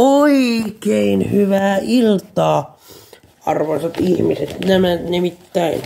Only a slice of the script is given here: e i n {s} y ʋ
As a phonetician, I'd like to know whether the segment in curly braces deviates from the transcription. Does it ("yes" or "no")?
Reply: yes